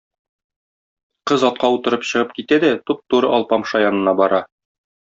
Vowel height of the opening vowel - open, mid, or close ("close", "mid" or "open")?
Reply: mid